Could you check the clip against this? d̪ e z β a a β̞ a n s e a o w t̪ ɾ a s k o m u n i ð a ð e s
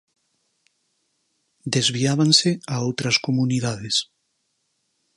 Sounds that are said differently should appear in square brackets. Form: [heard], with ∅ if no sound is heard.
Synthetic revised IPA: d̪ e z β [i] a β̞ a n s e a o w t̪ ɾ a s k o m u n i ð a ð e s